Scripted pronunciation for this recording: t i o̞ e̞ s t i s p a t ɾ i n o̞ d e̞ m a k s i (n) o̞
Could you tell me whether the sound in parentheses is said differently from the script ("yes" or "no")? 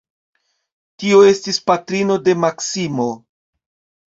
yes